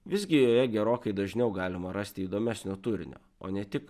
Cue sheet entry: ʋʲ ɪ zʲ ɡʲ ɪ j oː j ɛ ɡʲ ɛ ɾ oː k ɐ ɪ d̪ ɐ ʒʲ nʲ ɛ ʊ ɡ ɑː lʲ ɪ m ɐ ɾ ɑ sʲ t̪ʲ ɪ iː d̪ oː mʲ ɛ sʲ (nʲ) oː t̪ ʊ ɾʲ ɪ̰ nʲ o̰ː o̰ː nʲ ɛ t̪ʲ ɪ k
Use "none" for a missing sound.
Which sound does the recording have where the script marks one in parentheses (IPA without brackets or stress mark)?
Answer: nʲ